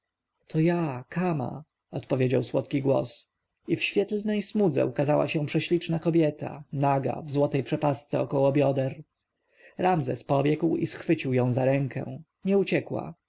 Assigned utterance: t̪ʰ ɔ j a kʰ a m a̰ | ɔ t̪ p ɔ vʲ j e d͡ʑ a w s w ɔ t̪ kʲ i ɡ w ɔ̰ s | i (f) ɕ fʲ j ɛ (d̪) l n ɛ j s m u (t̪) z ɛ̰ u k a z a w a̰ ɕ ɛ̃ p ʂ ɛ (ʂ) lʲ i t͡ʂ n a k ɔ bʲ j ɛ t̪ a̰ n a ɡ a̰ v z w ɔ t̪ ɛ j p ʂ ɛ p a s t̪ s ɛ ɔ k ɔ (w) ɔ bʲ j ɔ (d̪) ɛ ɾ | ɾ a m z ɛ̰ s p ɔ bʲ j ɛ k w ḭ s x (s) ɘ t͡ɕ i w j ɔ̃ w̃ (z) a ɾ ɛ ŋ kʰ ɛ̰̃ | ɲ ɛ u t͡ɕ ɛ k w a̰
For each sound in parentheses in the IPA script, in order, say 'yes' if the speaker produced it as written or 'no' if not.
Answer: yes, no, no, no, yes, yes, no, yes

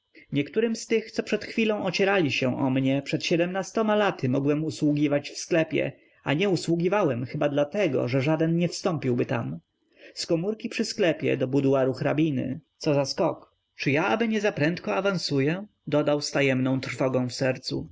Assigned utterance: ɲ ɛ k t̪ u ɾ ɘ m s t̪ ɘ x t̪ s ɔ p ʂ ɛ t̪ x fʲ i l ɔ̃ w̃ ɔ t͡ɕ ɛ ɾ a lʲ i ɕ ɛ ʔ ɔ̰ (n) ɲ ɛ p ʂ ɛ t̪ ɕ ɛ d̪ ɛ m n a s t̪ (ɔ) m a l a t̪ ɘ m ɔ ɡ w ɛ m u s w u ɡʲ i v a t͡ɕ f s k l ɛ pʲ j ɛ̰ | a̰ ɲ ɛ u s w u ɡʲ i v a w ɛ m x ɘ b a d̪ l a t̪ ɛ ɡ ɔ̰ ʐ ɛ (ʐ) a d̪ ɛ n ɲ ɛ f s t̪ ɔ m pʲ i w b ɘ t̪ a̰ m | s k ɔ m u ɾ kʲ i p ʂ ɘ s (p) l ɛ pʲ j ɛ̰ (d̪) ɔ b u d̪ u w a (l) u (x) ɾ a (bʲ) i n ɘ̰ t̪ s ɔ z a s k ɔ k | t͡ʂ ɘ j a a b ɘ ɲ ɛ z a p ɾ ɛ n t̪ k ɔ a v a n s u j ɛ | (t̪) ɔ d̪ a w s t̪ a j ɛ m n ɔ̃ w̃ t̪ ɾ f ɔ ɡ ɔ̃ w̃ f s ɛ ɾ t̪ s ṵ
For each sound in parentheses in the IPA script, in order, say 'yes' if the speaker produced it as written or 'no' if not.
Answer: no, yes, yes, no, yes, no, yes, yes, no

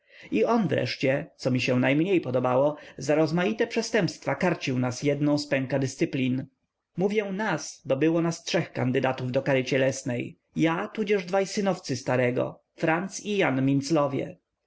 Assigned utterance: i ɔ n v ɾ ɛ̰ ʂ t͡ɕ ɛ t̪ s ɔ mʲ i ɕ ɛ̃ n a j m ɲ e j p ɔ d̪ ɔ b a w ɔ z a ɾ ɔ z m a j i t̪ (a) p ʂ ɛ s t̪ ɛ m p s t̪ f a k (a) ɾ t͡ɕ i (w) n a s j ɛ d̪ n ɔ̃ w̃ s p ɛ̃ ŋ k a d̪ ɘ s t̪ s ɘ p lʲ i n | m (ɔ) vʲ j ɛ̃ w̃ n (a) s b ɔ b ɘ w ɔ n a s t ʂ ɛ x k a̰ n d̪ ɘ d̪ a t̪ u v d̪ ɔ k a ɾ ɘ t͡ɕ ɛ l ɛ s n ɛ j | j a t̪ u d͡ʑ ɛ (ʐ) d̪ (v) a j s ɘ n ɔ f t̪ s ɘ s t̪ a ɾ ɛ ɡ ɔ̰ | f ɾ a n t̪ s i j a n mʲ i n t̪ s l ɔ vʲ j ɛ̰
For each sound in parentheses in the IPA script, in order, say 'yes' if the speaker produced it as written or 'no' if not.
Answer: no, yes, yes, no, yes, yes, yes

